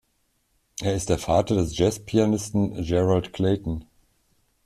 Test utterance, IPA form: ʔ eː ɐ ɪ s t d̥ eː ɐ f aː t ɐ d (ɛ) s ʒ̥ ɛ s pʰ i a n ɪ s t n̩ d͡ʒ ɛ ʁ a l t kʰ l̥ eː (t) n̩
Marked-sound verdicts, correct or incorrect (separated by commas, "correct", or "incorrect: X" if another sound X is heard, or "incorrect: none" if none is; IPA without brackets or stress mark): correct, correct